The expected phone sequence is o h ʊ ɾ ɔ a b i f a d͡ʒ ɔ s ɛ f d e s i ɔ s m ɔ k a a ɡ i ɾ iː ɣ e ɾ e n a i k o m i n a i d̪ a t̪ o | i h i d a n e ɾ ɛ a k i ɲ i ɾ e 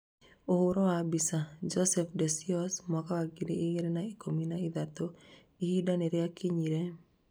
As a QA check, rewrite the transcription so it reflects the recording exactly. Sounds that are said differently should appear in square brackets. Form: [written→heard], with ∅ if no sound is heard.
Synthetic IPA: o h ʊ ɾ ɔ a b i [f→s] a d͡ʒ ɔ s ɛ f d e s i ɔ s m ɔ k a a ɡ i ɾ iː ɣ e ɾ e n a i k o m i n a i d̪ a t̪ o | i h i d a n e ɾ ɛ a k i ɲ i ɾ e